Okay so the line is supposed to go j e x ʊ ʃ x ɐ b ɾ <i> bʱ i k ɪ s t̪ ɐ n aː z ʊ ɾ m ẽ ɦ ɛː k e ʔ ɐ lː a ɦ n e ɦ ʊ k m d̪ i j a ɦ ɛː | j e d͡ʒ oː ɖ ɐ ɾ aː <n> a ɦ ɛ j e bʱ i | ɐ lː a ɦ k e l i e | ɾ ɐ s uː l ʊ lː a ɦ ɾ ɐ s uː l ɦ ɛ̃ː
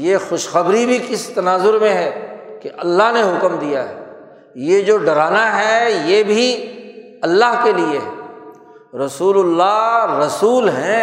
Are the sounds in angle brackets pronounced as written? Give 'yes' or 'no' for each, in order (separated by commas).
yes, yes